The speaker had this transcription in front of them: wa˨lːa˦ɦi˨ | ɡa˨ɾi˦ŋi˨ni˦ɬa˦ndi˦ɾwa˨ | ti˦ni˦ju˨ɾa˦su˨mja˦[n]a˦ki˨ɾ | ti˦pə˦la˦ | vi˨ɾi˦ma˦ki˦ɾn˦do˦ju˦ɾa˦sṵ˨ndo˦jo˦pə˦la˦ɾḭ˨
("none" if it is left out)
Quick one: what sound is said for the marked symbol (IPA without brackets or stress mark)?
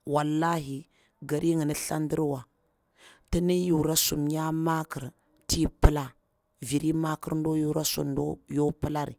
m